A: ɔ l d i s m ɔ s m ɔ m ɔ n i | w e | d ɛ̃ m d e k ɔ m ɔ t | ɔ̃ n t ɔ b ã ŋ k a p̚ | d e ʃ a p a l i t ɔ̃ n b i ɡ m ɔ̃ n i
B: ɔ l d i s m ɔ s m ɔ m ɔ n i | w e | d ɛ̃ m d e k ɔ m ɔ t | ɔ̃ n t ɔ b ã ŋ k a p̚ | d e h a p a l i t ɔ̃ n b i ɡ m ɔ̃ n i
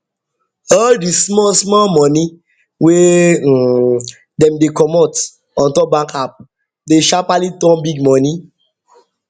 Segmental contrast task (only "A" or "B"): A